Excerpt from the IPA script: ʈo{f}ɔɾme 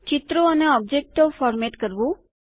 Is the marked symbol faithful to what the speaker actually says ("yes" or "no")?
yes